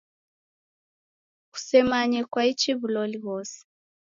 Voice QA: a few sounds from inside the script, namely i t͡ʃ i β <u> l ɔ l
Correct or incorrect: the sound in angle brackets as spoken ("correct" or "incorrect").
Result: correct